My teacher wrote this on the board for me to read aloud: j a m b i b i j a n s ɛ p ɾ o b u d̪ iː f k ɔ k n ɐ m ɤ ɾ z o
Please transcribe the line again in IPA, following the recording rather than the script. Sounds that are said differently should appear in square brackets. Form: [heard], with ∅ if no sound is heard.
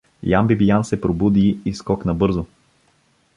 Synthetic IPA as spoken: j a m b i b i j a n s ɛ p ɾ o b u d̪ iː [s] k ɔ k n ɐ [b] ɤ ɾ z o